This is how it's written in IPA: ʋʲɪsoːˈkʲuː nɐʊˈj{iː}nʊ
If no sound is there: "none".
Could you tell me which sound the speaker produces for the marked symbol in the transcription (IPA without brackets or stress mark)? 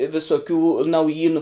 iː